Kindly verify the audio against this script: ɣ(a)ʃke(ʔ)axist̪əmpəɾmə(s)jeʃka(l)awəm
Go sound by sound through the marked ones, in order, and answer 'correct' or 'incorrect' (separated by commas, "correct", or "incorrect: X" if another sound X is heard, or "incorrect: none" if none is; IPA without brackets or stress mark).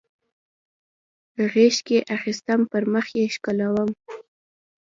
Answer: incorrect: e, correct, incorrect: x, correct